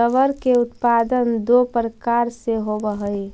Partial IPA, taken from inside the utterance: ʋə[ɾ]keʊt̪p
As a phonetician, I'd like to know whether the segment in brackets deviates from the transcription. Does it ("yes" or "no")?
no